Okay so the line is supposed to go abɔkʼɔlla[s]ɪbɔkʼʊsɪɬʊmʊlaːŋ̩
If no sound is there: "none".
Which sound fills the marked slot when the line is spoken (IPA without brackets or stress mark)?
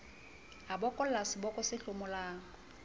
s